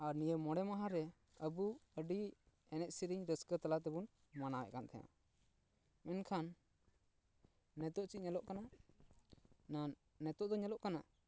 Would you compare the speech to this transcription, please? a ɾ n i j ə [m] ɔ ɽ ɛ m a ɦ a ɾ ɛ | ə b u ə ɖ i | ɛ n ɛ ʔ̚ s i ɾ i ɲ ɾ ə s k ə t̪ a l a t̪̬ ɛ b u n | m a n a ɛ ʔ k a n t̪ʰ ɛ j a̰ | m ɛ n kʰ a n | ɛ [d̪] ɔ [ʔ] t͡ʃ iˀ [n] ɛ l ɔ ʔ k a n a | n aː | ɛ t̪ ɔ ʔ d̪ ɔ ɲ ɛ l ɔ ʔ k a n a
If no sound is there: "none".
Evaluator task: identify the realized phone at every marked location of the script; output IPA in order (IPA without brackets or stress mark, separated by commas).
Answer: m, t̪, ʔ, ɲ